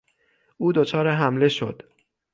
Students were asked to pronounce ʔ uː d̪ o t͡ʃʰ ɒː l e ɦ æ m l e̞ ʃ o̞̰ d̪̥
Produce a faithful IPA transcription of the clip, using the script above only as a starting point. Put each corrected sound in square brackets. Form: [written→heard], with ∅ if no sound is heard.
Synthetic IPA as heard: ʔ uː d̪ o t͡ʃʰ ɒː [l→ɾ] e ɦ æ m l e̞ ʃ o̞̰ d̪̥